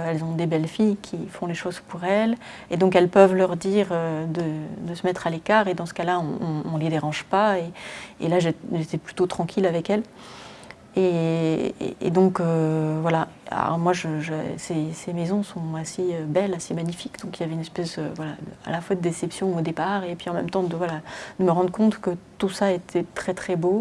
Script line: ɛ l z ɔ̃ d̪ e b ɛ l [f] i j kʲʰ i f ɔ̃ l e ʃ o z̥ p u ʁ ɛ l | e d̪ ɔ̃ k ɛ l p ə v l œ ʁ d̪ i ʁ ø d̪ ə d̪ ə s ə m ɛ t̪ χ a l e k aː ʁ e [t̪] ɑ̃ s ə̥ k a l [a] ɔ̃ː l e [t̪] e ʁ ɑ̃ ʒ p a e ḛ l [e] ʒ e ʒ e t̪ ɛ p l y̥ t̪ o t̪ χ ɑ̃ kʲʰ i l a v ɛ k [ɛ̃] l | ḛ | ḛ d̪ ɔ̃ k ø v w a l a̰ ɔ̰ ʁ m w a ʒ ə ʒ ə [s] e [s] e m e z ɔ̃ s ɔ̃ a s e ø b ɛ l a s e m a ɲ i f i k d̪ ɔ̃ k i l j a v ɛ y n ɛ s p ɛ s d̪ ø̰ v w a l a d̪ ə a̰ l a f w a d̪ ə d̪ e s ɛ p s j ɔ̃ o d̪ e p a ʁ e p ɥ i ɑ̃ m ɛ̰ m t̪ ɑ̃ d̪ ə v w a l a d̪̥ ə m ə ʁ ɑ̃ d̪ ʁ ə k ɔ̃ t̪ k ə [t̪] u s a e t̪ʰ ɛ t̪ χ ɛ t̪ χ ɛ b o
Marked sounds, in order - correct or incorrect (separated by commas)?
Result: correct, incorrect, correct, incorrect, incorrect, incorrect, correct, correct, correct